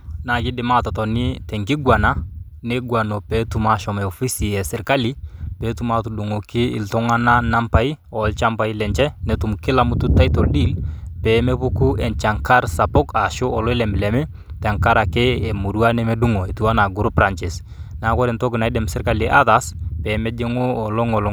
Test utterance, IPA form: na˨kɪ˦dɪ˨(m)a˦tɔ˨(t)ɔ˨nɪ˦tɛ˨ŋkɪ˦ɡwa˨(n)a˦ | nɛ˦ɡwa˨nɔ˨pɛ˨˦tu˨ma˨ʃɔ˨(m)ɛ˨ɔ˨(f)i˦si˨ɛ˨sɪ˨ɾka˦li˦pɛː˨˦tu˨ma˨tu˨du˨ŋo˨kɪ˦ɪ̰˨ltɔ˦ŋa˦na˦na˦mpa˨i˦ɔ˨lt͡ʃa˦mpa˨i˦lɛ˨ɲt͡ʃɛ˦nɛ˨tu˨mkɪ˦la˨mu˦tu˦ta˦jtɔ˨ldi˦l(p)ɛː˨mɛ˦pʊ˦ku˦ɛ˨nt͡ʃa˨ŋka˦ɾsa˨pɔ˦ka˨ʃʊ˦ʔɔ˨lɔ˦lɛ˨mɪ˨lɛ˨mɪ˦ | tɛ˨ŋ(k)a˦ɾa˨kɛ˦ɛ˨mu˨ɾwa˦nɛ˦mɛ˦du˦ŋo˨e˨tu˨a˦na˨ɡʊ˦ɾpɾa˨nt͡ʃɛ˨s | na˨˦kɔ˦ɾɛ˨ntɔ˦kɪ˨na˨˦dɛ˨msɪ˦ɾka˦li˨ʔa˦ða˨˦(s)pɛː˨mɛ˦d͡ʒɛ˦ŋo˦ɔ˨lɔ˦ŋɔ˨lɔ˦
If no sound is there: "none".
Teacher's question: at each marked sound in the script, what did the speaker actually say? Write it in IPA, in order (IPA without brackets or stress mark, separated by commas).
m, t, n, m, f, p, k, s